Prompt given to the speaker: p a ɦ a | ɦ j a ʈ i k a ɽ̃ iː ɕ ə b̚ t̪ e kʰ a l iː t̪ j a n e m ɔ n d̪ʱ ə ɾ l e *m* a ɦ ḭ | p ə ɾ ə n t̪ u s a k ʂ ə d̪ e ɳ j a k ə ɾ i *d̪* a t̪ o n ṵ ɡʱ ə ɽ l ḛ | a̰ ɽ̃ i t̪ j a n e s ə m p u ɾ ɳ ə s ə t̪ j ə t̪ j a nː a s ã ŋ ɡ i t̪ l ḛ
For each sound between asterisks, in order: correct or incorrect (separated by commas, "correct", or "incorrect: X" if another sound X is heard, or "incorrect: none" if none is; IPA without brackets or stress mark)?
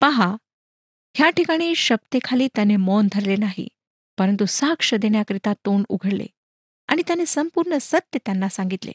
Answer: incorrect: n, incorrect: t̪